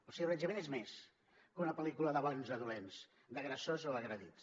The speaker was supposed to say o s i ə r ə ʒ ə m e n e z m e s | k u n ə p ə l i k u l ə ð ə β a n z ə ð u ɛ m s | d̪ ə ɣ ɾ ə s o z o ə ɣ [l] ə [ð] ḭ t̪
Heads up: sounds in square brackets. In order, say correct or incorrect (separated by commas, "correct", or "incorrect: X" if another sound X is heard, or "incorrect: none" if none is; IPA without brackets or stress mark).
incorrect: ɾ, correct